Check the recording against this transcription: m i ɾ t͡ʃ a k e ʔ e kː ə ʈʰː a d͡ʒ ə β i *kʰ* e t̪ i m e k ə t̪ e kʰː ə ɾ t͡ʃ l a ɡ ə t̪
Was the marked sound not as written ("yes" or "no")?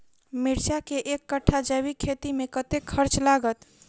no